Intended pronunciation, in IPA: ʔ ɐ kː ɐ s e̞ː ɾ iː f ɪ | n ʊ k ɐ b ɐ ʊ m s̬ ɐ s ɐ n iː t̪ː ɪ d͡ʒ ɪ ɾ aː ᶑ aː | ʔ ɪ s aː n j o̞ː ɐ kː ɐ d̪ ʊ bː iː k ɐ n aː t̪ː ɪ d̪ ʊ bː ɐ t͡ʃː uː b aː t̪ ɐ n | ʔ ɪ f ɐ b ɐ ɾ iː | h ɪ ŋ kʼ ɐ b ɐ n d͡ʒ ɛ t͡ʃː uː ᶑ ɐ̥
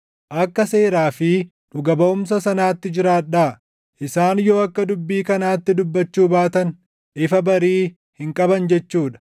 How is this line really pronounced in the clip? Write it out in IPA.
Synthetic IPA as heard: ʔ ɐ kː ɐ s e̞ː ɾ aː f ɪ | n ʊ ɡ ɐ b ɐ ʊ m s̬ ɐ s ɐ n aː t̪ː ɪ d͡ʒ ɪ ɾ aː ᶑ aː | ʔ ɪ s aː n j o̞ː ɐ kː ɐ d̪ ʊ bː iː k ɐ n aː t̪ː ɪ d̪ ʊ bː ɐ t͡ʃː uː b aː t̪ ɐ n | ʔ ɪ f ɐ b ɐ ɾ iː | h ɪ ŋ kʼ ɐ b ɐ n d͡ʒ ɛ t͡ʃː uː ᶑ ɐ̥